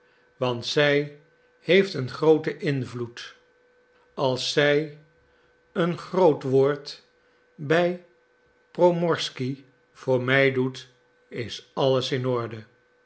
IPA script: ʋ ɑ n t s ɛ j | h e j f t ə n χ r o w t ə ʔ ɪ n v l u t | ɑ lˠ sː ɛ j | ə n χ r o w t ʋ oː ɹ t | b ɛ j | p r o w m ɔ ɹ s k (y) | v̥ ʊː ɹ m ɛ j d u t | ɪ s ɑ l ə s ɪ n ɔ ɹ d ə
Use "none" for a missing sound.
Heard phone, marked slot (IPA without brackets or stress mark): i